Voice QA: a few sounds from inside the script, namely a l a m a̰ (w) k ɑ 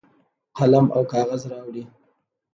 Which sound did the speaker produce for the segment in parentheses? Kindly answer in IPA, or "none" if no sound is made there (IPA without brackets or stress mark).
w